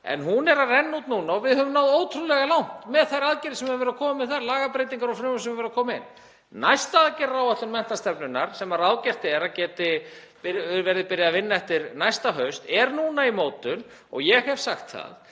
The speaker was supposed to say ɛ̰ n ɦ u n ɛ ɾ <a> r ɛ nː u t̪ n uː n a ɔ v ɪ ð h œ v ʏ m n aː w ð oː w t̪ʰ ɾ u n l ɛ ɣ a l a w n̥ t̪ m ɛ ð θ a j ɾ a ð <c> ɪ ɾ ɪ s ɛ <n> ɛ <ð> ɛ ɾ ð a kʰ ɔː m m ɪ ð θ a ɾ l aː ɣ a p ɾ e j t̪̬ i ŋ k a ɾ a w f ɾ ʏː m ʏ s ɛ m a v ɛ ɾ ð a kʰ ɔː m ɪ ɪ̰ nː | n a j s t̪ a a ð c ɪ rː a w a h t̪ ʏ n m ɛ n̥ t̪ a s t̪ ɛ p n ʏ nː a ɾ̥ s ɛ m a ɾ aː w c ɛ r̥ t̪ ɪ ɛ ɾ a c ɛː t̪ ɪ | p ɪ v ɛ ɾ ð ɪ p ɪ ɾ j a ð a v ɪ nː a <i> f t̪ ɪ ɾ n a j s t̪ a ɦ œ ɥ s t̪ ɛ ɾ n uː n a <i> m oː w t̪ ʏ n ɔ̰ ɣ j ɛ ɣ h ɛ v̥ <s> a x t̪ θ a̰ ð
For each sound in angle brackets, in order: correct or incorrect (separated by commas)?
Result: correct, correct, incorrect, incorrect, incorrect, correct, correct